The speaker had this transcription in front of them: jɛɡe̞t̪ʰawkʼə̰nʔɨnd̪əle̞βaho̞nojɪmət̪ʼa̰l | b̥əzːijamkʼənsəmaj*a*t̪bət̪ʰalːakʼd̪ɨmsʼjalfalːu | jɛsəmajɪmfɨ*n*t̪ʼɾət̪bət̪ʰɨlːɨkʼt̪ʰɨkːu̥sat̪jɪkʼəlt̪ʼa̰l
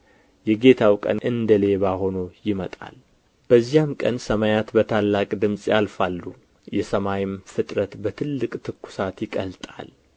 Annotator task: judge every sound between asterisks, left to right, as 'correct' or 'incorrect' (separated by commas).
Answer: correct, incorrect